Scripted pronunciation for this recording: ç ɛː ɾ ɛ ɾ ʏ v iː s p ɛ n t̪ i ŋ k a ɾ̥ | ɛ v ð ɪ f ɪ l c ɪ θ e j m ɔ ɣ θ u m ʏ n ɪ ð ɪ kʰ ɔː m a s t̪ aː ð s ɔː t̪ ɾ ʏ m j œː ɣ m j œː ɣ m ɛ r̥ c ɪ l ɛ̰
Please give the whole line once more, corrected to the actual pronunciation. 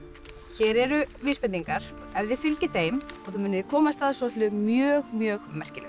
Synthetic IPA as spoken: ç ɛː ɾ ɛ ɾ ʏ v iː s p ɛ n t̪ i ŋ k a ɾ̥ | ɛ v ð ɪ f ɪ l c ɪ θ e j m ɔ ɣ θ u m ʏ n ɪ ð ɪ kʰ ɔː m a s t̪ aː ð s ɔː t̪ l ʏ m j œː ɣ m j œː ɣ m ɛ r̥ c ɪ l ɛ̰